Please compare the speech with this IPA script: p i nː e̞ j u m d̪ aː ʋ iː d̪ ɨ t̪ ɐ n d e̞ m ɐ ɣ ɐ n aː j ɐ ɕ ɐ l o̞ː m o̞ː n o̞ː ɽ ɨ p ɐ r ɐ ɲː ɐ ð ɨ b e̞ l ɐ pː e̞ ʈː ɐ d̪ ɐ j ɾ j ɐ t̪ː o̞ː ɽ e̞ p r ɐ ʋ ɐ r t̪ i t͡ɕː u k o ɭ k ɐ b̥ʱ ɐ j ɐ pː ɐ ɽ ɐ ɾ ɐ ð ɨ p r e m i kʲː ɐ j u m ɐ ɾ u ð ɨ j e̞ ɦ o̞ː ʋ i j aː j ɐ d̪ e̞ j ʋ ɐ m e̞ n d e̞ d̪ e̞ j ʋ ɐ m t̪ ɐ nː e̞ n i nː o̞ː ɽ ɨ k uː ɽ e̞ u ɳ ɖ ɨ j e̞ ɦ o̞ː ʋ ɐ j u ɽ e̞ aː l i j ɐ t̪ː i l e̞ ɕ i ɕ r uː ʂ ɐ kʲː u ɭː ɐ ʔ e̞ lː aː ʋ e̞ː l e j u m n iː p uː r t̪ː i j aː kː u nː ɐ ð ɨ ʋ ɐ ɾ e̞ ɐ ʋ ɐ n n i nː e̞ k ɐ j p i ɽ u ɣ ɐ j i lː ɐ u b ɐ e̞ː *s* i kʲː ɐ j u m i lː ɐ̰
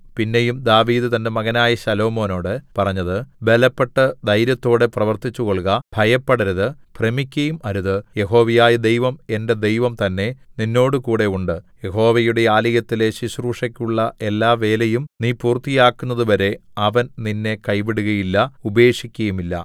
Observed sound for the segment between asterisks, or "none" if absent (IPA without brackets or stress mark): ʂ